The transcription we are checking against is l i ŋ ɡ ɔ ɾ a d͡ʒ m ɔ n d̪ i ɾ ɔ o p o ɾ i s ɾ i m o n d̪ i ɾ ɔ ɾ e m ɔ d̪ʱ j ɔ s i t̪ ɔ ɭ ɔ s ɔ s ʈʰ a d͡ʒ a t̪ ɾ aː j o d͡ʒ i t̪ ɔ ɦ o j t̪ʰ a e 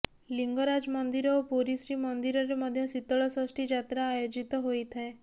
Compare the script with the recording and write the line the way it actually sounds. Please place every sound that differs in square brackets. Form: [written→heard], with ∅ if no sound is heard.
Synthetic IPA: l i ŋ ɡ ɔ ɾ a d͡ʒ m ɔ n d̪ i ɾ ɔ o p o ɾ i s ɾ i m [o→ɔ] n d̪ i ɾ ɔ ɾ e m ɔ d̪ʱ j ɔ s i t̪ ɔ ɭ ɔ s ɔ s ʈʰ [a→i] d͡ʒ a t̪ ɾ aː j o d͡ʒ i t̪ ɔ ɦ o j t̪ʰ a e